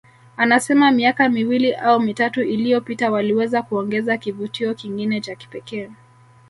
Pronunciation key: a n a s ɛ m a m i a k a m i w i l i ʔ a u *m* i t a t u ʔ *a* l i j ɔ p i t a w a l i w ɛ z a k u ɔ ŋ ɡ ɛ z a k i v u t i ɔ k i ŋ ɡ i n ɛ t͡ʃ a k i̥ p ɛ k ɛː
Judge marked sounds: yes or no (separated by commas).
yes, no